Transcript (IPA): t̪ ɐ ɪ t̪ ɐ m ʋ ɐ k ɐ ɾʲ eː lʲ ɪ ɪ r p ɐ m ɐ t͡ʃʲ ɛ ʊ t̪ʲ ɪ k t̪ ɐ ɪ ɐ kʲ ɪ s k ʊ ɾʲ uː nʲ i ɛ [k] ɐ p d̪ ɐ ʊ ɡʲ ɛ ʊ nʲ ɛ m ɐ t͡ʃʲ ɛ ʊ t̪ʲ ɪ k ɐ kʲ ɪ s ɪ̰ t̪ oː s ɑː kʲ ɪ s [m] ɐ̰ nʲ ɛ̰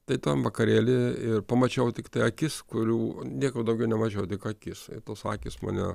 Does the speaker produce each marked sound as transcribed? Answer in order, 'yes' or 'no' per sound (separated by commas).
yes, yes